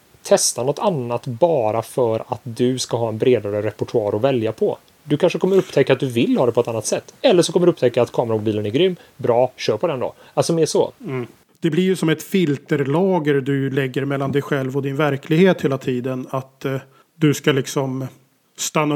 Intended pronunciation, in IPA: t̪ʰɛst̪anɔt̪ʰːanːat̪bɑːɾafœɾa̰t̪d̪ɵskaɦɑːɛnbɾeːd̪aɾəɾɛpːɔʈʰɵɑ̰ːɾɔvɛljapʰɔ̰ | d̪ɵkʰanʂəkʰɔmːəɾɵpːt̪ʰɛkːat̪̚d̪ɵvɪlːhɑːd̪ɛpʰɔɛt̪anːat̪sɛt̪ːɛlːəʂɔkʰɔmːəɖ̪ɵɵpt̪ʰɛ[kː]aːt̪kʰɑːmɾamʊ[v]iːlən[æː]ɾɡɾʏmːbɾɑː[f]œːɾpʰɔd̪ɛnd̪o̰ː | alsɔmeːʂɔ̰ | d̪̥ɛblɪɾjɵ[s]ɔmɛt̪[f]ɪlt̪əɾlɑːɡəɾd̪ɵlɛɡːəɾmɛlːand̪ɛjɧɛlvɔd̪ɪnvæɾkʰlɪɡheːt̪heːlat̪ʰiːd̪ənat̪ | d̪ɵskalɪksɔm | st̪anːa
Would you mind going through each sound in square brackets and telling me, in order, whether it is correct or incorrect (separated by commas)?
correct, incorrect, incorrect, incorrect, correct, correct